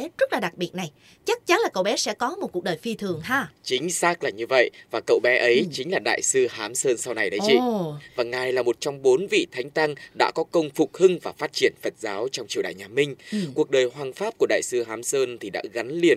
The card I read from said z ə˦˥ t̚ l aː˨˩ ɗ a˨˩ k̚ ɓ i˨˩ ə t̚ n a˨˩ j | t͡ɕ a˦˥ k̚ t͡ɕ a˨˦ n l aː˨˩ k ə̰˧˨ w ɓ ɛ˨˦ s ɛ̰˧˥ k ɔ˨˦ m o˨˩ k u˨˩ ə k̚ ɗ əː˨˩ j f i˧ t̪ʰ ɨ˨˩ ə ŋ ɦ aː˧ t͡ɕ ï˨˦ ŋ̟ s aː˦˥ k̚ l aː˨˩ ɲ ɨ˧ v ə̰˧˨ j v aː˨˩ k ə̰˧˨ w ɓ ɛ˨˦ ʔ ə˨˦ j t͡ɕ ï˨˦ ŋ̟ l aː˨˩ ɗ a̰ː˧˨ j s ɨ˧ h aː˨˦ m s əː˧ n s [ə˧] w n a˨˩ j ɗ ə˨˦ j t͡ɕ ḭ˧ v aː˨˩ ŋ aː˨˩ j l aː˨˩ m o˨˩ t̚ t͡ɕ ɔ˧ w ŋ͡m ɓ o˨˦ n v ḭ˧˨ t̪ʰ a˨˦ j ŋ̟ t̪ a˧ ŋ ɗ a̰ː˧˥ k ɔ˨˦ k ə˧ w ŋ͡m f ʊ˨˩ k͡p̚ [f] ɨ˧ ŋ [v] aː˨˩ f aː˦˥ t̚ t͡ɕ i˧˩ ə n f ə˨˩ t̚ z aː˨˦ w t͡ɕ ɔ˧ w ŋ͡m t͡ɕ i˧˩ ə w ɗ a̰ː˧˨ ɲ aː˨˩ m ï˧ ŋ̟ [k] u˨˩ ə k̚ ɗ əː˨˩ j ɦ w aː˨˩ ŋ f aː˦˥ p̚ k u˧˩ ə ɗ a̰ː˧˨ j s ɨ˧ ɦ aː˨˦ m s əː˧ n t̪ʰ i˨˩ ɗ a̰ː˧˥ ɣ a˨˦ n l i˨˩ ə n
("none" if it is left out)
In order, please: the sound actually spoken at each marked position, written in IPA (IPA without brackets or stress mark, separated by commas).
a˧, h, v, k